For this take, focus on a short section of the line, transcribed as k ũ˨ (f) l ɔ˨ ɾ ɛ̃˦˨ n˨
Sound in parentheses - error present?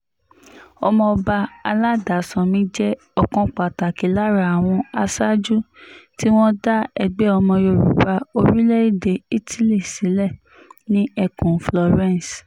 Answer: no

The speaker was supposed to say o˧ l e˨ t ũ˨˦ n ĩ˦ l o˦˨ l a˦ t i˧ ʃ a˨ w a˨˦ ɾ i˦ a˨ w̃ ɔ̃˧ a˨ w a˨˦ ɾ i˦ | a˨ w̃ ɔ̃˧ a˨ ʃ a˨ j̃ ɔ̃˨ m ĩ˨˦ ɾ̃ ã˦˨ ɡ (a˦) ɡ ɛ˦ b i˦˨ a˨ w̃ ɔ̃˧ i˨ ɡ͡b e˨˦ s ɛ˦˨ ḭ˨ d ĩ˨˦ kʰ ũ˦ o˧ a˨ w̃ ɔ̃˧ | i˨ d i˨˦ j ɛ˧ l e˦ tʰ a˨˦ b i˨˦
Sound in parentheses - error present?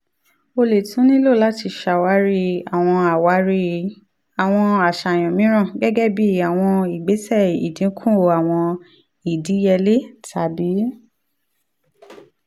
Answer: yes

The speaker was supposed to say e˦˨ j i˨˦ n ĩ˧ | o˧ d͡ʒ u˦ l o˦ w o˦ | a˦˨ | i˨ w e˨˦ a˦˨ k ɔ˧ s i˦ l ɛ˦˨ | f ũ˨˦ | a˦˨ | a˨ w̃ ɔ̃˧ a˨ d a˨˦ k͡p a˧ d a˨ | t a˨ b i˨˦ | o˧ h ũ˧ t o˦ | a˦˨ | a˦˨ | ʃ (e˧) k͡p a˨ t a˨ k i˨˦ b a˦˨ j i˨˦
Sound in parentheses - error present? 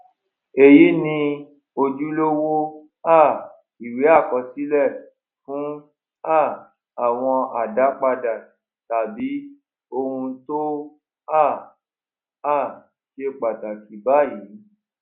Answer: no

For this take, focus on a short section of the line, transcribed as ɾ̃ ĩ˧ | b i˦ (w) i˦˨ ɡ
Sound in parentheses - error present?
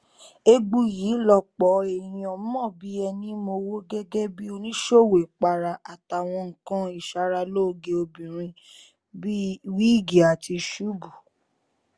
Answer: no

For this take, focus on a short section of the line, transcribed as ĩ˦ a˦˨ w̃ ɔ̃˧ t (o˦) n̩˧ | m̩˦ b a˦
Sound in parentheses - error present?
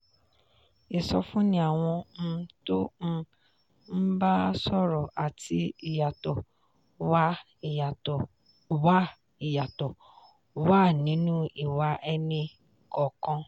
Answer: no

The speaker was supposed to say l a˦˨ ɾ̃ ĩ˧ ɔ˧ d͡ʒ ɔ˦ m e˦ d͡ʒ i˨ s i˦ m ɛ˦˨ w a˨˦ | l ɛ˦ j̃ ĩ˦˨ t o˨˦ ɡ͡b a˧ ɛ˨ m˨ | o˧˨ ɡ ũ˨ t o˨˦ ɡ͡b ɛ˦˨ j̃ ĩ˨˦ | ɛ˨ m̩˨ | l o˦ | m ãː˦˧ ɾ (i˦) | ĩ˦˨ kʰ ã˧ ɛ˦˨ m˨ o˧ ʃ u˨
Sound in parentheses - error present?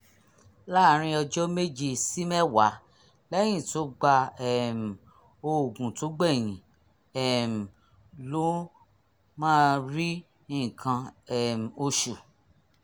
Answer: no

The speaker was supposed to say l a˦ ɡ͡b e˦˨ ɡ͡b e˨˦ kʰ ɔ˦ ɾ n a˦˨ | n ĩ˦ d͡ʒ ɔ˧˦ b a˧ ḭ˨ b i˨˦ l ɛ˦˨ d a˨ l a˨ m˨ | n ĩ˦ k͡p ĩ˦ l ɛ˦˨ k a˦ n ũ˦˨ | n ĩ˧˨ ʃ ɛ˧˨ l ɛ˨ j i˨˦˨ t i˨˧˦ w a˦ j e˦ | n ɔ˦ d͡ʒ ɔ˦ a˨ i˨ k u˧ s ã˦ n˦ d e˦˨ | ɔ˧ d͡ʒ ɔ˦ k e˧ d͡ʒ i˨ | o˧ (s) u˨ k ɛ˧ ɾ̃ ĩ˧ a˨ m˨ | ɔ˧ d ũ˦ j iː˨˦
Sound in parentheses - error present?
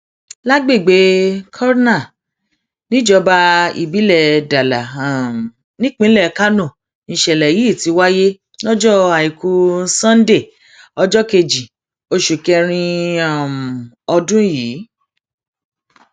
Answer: yes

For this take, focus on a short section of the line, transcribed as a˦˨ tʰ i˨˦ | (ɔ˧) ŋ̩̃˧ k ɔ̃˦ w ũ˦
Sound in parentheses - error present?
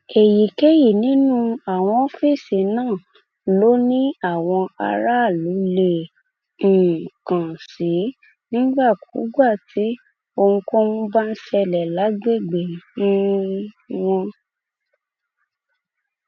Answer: yes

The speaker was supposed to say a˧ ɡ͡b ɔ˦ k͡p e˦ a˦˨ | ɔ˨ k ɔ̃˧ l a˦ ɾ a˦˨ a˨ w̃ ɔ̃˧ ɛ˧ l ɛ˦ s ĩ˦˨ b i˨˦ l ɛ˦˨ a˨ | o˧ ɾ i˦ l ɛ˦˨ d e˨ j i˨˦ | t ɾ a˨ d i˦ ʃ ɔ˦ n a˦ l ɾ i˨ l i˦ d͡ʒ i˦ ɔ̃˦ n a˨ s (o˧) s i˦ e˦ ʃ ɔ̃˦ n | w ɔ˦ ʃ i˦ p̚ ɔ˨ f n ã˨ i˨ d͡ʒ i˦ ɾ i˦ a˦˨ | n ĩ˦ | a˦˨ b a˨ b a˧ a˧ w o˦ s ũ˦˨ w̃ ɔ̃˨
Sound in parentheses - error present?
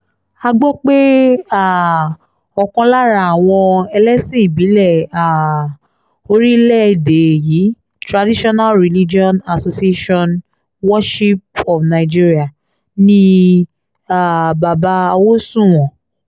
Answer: no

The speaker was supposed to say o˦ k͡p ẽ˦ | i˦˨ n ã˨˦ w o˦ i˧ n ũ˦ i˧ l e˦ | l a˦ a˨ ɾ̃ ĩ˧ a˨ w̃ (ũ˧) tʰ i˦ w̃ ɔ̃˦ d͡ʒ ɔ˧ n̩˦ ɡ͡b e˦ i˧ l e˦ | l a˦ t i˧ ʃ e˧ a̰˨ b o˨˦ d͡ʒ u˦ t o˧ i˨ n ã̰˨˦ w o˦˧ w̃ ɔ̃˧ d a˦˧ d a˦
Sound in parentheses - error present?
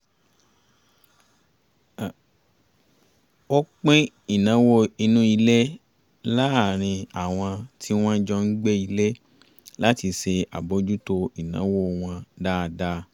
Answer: yes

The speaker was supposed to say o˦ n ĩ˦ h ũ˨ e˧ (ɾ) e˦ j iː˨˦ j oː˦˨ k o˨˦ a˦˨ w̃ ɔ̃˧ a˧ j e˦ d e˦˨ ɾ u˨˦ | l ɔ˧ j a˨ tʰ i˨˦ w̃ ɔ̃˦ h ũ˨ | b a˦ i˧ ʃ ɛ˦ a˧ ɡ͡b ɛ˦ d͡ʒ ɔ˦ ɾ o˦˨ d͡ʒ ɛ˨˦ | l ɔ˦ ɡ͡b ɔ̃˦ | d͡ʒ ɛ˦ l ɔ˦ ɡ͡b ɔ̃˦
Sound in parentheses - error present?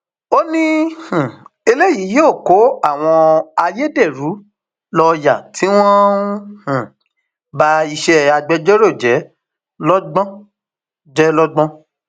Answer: yes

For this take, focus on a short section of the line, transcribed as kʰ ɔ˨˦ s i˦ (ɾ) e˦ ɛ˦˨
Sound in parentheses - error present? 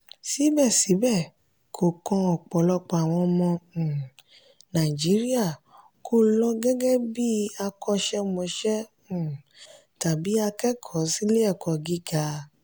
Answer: yes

